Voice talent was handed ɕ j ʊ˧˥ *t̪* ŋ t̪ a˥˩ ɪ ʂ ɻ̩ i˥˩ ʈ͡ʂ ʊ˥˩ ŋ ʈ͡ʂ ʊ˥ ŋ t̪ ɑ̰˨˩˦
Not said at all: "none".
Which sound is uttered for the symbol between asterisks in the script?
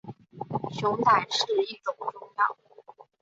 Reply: none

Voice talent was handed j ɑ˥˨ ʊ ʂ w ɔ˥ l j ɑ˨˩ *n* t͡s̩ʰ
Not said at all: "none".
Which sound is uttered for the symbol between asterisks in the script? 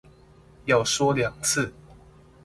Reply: ŋ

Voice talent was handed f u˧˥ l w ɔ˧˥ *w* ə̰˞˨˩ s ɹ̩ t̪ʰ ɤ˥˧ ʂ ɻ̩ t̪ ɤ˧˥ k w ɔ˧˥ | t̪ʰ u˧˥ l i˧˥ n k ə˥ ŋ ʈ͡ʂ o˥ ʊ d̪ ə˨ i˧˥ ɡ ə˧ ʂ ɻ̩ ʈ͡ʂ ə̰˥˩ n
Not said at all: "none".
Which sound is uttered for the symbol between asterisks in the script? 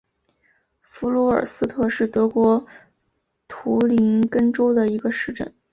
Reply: none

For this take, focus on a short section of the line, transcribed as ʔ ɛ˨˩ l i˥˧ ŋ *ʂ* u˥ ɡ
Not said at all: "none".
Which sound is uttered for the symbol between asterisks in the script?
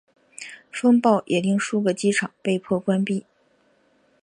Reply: ʂ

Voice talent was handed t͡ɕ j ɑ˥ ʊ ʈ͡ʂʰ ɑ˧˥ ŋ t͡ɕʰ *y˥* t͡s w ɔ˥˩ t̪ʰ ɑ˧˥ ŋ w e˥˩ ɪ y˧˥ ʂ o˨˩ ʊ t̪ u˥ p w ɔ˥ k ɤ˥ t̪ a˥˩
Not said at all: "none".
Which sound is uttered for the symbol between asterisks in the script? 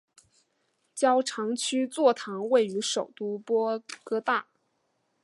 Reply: y˥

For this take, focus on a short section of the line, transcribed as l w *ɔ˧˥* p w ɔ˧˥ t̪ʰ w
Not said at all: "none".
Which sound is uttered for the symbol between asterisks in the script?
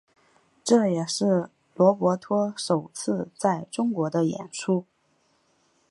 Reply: ɔ˧˥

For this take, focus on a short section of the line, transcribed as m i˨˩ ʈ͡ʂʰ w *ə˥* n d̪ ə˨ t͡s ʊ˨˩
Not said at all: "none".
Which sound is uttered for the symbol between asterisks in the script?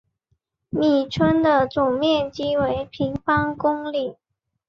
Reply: ə˥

